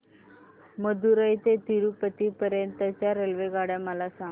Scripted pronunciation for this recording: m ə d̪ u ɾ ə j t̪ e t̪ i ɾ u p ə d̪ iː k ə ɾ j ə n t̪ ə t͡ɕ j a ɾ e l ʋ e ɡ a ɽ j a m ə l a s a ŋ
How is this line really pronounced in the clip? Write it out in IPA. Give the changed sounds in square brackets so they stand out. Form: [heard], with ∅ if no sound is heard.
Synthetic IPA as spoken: m ə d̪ u ɾ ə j t̪ e t̪ i ɾ u p ə [t̪] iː [p] ə ɾ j ə n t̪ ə t͡ɕ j a ɾ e l ʋ e ɡ a ɽ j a m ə l a s a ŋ